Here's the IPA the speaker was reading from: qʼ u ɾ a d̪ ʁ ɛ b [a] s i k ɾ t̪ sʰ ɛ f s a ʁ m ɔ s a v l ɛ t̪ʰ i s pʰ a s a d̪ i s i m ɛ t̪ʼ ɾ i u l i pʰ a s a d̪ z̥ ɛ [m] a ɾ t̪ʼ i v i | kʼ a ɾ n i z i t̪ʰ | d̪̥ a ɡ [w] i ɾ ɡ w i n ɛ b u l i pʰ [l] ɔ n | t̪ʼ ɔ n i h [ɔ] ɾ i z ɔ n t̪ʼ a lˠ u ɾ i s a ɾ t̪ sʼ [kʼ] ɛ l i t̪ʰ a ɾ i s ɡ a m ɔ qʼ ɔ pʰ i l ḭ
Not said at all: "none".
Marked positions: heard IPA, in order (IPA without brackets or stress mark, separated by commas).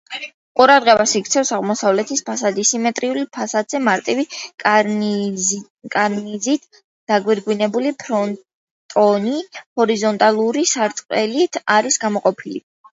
a, m, w, ɾ, ɔ, qʼ